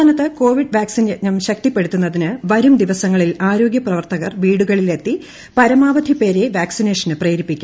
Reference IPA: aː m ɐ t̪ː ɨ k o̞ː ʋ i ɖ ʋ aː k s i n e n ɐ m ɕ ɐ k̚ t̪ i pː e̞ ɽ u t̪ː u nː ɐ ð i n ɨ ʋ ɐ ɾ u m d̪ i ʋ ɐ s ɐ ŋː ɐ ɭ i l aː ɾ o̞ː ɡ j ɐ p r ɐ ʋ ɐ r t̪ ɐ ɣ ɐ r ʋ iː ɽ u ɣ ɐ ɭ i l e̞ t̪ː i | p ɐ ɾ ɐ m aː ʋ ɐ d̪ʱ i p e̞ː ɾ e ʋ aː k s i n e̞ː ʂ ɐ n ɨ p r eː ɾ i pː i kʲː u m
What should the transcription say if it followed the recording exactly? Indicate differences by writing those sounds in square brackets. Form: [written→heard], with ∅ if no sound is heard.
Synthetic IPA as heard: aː [m→n] ɐ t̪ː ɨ k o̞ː ʋ i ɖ ʋ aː k s i n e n ɐ m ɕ ɐ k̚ t̪ i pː e̞ ɽ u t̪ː u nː ɐ ð i n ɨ ʋ ɐ ɾ u m d̪ i ʋ ɐ s ɐ ŋː ɐ ɭ i l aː ɾ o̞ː ɡ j ɐ p r ɐ ʋ ɐ r t̪ ɐ ɣ ɐ r ʋ iː ɽ u ɣ ɐ ɭ i l e̞ t̪ː i | p ɐ ɾ ɐ m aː ʋ ɐ d̪ʱ i p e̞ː ɾ e ʋ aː k s i n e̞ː ʂ ɐ n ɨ p r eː ɾ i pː i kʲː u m